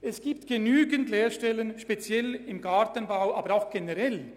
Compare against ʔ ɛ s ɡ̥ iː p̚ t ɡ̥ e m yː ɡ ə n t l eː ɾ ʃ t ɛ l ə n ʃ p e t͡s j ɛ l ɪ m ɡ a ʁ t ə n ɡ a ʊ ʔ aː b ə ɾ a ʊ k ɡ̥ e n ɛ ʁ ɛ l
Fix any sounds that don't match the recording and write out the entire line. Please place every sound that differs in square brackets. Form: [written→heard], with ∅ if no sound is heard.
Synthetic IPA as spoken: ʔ ɛ s ɡ̥ iː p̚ t ɡ̥ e [m→n] yː ɡ ə n t l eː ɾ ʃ t ɛ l ə n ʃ p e t͡s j ɛ l ɪ m ɡ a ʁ t ə n [ɡ→b] a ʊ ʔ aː b ə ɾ a ʊ [k→x] ɡ̥ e n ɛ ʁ ɛ l